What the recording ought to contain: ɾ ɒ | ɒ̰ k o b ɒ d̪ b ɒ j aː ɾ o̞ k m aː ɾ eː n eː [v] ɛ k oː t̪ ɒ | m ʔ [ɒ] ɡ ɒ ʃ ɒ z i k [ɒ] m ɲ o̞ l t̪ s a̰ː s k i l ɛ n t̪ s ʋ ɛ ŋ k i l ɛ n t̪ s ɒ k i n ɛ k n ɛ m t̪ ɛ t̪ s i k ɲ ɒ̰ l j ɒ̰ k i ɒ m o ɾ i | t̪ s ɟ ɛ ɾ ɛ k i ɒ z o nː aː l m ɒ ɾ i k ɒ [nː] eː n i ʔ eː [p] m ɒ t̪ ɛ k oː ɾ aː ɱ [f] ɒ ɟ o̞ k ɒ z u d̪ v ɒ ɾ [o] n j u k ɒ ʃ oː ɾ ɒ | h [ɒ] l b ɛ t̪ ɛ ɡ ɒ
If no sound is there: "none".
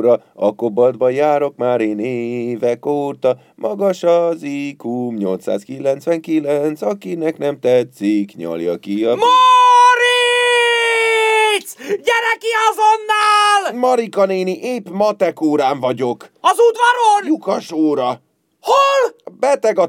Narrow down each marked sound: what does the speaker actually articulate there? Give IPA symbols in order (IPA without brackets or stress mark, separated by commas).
v, ɒ, u, n, p, v, o, o